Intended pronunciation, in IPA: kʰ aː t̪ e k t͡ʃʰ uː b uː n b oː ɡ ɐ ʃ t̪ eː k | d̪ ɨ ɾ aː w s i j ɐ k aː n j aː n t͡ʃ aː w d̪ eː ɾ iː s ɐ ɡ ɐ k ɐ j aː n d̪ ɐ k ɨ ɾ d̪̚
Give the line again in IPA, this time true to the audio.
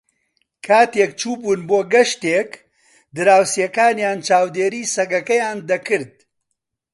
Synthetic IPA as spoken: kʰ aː t̪ e k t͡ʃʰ uː b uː n b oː ɡ ɐ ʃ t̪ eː k | d̪ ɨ ɾ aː w s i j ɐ k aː n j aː n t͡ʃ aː w d̪ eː ɾ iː s ɐ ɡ ɐ k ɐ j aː n d̪ ɐ k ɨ ɾ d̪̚